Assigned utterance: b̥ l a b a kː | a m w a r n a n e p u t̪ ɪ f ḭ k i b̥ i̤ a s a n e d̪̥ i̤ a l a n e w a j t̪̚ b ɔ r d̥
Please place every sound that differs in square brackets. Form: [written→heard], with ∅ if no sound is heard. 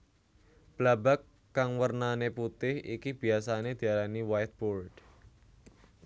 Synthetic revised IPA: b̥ l a b a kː | a [m→ŋ] w [a→ə] r n a n e p u t̪ ɪ [f→h] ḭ k i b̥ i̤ a s a n e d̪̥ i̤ a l a n [e→i] w a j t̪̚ b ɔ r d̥